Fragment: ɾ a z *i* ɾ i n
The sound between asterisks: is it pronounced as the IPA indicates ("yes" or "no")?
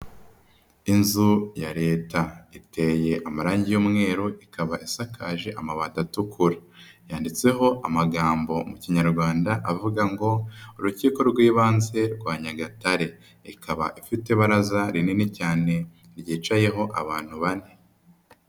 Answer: no